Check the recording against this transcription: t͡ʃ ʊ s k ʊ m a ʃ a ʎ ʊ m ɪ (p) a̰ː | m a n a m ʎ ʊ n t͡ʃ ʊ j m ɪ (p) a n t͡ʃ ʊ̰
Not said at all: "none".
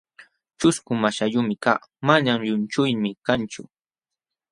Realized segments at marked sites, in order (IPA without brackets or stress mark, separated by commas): k, k